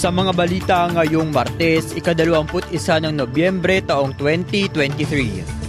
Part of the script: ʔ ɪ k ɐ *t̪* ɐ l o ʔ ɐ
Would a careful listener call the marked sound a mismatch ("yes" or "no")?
yes